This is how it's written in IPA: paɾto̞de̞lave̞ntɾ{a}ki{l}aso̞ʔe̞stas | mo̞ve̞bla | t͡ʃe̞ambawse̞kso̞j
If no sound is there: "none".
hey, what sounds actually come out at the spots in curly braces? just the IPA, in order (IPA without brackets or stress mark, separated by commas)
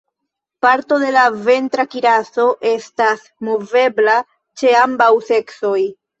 a, ɾ